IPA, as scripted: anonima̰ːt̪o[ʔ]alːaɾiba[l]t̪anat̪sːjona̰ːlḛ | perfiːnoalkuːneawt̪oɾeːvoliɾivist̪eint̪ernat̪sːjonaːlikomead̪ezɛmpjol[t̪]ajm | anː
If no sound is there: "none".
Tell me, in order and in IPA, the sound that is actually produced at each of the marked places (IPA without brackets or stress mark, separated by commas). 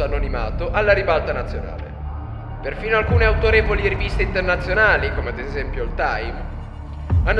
ʔ, l, t̪